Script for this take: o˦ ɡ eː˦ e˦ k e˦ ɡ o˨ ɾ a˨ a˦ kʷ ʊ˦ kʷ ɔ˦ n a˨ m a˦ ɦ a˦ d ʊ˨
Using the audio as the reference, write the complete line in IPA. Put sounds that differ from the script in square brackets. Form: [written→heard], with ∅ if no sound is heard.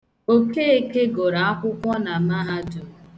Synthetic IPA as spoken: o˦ [ɡ→k] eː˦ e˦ k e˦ ɡ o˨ ɾ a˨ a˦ kʷ ʊ˦ kʷ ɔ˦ n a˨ m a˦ ɦ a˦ d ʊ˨